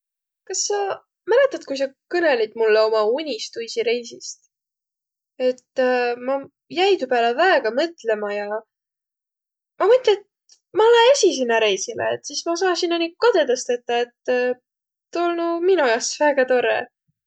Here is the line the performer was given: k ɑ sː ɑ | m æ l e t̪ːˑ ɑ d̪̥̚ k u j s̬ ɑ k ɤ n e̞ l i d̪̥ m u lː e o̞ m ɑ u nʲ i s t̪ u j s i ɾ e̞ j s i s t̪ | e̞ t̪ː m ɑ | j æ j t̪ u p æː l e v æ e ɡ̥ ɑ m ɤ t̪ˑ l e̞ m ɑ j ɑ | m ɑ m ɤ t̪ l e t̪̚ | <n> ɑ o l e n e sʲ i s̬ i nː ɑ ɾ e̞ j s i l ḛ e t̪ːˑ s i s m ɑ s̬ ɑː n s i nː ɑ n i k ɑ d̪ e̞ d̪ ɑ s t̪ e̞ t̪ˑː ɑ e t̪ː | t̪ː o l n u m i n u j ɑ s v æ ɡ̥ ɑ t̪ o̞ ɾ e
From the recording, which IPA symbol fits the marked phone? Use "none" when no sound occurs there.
m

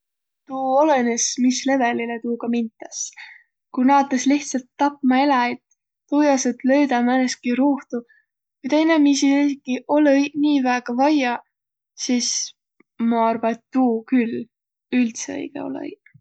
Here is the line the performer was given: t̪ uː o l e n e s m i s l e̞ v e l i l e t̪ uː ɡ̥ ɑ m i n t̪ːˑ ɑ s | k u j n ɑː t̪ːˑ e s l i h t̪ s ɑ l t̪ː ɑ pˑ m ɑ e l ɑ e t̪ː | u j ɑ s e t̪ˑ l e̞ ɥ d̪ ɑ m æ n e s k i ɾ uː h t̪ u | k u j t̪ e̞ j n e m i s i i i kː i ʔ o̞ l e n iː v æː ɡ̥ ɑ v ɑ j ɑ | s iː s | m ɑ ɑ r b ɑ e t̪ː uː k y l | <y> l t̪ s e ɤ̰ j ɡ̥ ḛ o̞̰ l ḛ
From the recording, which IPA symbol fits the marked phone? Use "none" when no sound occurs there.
y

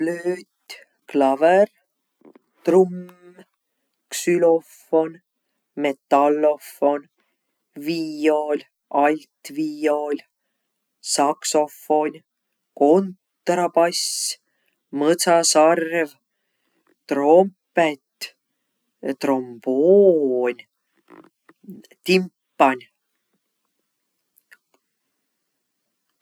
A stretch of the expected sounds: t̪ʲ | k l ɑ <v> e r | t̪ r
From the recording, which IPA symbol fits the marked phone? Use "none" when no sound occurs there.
v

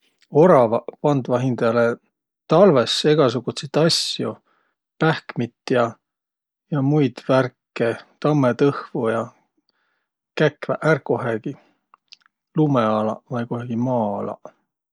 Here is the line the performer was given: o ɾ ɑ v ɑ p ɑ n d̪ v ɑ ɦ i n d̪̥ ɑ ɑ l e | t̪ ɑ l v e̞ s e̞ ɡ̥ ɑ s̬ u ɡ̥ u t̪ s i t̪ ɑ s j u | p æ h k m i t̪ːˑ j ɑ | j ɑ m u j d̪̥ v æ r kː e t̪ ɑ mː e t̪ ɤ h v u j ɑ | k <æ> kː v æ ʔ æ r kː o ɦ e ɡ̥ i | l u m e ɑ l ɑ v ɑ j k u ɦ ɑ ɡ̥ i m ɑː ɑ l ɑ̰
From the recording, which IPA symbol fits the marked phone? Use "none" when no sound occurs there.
æ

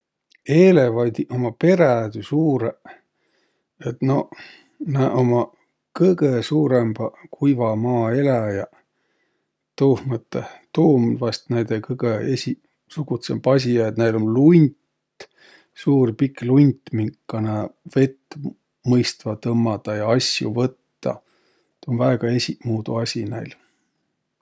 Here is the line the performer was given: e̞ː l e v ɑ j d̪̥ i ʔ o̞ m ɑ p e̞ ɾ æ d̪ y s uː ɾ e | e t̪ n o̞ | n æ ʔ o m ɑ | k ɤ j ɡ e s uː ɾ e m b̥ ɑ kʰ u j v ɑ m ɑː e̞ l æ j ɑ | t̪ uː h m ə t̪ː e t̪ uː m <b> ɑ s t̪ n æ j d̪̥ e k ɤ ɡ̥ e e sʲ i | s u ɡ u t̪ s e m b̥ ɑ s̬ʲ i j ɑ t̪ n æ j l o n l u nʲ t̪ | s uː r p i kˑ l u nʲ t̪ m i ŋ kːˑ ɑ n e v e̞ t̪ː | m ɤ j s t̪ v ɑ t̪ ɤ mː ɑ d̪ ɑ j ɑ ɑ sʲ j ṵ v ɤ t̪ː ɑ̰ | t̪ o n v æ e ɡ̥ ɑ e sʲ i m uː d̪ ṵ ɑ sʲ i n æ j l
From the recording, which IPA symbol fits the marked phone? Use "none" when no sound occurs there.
v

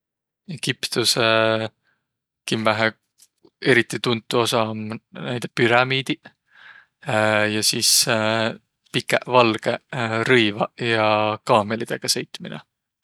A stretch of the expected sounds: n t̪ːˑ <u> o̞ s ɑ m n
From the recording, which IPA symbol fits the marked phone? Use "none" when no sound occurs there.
u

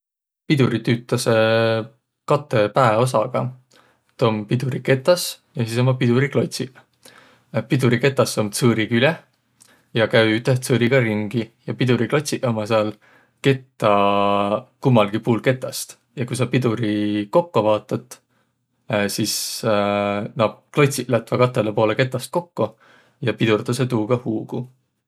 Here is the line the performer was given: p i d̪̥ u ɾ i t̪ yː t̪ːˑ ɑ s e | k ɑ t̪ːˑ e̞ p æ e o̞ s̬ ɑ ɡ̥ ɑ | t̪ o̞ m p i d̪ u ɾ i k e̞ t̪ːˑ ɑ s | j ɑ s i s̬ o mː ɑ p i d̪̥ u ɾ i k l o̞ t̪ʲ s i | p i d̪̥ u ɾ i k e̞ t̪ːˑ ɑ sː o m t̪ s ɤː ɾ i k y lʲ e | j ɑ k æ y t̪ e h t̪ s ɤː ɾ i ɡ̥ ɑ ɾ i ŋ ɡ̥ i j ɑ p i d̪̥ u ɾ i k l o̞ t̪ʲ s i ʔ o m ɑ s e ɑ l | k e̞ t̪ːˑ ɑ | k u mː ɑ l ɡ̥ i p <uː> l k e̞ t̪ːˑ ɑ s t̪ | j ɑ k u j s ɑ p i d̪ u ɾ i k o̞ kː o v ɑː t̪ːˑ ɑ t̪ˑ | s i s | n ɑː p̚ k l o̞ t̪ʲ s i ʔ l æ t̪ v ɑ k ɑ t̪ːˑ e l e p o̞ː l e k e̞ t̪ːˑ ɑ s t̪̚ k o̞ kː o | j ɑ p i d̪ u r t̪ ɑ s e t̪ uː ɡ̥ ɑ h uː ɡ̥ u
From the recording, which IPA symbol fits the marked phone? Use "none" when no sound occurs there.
uː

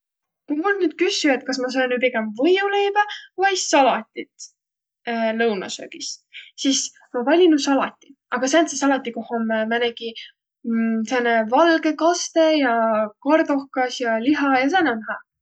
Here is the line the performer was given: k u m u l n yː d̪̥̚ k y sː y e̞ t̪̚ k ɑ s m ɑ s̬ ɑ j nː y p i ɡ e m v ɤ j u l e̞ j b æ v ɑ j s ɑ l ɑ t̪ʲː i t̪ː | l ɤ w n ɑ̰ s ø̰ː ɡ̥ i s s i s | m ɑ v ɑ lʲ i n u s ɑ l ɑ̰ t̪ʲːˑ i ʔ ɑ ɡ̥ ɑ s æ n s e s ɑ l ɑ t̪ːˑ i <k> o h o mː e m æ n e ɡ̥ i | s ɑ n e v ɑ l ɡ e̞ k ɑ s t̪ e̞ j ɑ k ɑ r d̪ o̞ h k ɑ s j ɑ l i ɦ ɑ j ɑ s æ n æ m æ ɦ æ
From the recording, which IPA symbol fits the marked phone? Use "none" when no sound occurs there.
k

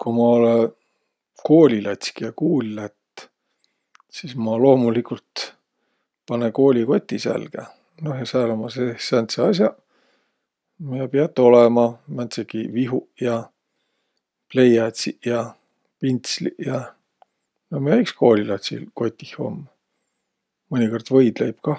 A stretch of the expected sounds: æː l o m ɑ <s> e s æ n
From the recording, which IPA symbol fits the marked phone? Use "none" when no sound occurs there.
s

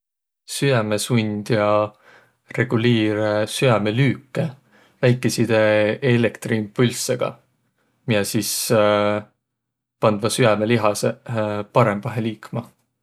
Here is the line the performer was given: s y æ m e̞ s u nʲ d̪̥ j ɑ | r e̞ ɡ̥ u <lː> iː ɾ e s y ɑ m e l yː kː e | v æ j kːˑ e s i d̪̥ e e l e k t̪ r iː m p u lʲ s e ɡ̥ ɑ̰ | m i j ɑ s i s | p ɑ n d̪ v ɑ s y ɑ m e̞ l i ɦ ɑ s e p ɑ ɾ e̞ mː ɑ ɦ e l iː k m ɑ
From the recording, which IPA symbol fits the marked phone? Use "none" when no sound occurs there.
l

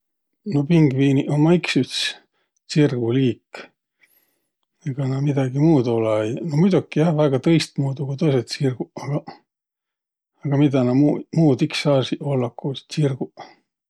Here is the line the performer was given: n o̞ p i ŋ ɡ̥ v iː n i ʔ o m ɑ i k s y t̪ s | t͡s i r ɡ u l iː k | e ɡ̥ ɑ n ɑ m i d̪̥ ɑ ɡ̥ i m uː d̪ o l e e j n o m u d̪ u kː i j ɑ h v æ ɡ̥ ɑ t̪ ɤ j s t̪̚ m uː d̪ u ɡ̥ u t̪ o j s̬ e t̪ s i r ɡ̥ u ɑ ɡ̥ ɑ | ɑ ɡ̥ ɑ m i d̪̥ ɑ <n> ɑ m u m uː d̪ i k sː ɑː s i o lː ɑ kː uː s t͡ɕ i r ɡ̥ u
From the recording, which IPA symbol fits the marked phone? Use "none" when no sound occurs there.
n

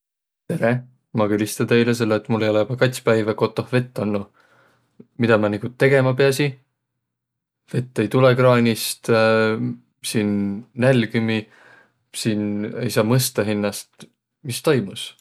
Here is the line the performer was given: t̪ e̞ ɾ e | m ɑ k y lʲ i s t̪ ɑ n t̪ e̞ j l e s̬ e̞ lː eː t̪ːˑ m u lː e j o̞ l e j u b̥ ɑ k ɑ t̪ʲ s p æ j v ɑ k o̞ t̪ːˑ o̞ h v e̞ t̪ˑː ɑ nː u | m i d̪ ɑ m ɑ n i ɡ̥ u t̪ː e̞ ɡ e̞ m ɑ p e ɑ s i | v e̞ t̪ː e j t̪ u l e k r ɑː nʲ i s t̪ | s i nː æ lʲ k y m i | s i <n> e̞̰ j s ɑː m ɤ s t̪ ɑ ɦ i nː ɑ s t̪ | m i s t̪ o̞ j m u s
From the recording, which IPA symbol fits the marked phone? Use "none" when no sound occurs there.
n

